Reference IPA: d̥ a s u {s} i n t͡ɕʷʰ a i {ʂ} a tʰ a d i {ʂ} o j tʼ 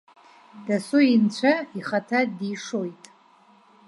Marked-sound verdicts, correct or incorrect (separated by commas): incorrect, incorrect, correct